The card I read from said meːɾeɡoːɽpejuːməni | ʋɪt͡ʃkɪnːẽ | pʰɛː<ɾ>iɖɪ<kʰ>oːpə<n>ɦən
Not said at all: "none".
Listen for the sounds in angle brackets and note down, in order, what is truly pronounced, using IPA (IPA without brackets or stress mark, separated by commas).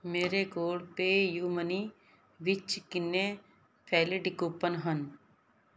l, k, n